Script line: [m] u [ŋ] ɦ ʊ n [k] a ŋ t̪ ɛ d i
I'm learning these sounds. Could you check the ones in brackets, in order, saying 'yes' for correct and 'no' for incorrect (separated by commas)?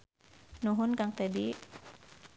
no, no, yes